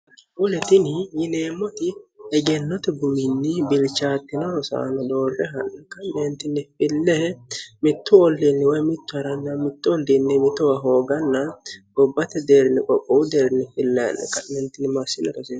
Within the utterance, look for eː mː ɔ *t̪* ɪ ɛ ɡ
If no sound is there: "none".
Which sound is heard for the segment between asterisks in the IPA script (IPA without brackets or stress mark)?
t̪